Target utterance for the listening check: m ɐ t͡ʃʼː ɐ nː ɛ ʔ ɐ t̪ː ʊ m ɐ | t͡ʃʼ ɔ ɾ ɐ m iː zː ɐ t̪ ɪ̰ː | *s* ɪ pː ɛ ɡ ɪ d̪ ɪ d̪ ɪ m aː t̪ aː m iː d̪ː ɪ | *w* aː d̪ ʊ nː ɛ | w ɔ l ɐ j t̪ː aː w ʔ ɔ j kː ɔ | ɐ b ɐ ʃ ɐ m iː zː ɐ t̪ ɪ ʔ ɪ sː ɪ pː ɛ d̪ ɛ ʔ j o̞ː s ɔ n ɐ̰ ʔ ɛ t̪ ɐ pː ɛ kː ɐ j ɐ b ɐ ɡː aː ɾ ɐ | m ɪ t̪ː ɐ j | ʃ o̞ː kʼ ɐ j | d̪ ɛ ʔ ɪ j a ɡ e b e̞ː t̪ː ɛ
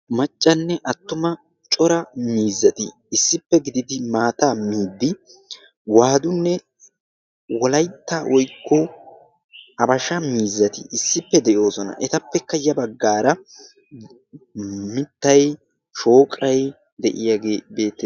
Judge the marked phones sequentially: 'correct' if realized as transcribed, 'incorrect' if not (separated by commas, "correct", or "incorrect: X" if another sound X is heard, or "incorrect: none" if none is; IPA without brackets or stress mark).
incorrect: sː, correct